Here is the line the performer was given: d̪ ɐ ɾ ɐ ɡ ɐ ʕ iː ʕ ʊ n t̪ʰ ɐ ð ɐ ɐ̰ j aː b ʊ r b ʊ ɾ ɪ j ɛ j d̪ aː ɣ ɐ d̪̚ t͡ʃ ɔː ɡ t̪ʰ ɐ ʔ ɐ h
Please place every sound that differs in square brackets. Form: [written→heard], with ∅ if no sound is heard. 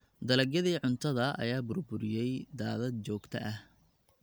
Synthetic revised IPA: d̪ ɐ [ɾ→l] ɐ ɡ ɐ [ʕ→ð] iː ʕ ʊ n t̪ʰ ɐ ð ɐ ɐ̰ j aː b ʊ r b ʊ ɾ ɪ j ɛ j d̪ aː [ɣ→ð] ɐ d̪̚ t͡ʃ ɔː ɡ t̪ʰ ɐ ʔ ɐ h